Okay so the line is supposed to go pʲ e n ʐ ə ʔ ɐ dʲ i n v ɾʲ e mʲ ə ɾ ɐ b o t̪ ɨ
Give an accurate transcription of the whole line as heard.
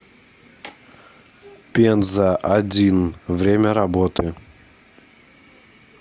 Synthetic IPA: pʲ e n z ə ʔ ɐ dʲ i n v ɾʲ e mʲ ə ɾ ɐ b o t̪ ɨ